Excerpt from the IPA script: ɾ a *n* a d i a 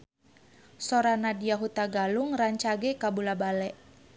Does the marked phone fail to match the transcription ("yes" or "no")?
no